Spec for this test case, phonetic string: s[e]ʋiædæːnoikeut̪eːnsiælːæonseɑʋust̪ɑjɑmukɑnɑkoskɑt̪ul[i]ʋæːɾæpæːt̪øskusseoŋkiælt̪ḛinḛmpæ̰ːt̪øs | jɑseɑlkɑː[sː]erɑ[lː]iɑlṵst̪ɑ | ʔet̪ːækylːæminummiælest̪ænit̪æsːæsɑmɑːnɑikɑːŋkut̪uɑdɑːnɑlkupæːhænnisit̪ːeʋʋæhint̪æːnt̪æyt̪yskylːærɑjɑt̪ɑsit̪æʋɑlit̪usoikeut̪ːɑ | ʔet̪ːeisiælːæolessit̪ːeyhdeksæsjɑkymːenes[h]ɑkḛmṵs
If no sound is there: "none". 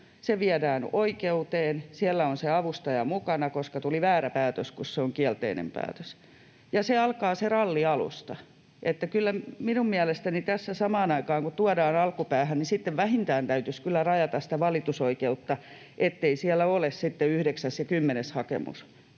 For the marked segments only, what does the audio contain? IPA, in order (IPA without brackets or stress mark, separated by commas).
e, i, s, lː, h